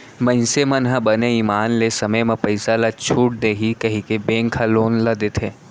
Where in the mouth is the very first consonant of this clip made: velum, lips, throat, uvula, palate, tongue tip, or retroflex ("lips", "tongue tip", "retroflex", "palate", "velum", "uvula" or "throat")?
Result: lips